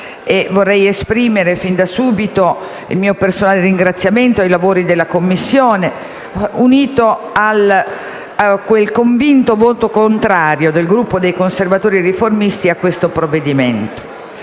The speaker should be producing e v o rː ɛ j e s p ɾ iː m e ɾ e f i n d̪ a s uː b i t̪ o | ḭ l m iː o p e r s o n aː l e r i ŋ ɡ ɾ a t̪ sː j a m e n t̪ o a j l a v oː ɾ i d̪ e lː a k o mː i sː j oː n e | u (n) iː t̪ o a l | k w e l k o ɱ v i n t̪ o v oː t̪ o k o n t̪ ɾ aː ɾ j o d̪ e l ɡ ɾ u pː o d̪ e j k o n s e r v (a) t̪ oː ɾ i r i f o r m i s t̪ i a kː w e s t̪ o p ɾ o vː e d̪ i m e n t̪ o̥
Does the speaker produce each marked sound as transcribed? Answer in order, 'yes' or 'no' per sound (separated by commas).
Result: yes, yes